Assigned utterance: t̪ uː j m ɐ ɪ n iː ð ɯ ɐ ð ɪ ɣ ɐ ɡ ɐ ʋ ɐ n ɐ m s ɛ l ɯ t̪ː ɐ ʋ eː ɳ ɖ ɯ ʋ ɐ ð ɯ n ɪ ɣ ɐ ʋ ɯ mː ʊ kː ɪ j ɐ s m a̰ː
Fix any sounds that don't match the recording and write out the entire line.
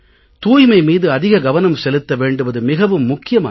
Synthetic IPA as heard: t̪ uː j m ɐ ɪ m iː ð ɯ ɐ ð ɪ ɣ ɐ ɡ ɐ ʋ ɐ n ɐ m s ɛ l ɯ t̪ː ɐ ʋ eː ɳ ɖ ɯ ʋ ɐ ð ɯ m ɪ ɣ ɐ ʋ ɯ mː ʊ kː ɪ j ɐ m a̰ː